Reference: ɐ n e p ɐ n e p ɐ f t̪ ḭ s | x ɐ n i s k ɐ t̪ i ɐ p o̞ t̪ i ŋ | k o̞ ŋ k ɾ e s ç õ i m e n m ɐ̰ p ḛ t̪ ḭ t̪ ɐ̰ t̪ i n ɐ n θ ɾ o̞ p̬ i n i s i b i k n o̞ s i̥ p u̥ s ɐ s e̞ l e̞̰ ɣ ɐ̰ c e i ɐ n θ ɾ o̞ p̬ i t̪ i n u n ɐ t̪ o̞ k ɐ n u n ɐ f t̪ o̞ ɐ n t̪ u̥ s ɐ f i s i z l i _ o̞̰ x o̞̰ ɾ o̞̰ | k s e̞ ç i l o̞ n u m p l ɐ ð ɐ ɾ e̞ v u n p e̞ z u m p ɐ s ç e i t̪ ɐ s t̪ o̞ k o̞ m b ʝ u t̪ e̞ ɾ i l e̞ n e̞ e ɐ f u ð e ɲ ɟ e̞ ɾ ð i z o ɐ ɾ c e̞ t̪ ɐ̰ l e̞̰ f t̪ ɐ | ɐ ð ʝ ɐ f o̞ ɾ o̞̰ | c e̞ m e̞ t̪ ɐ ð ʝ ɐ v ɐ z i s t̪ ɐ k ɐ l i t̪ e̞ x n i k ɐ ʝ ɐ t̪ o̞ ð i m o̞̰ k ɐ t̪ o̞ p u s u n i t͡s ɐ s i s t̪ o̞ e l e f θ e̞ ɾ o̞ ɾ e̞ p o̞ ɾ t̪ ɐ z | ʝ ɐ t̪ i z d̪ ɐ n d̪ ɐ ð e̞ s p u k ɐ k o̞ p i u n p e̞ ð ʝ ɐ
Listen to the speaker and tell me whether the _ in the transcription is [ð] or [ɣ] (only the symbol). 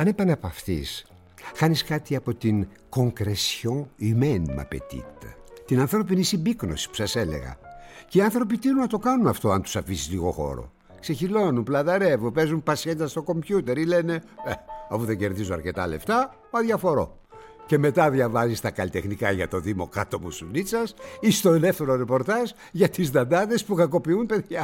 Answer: ɣ